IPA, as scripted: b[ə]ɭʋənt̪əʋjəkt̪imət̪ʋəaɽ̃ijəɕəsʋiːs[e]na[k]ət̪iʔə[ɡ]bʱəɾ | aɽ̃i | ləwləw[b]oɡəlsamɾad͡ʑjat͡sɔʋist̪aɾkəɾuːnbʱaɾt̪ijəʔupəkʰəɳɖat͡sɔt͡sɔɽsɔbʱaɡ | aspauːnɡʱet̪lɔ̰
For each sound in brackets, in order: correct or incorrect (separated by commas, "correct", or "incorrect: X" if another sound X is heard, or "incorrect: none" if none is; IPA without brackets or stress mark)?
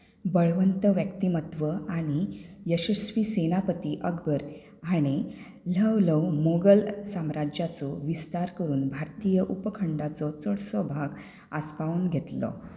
correct, correct, incorrect: p, correct, incorrect: m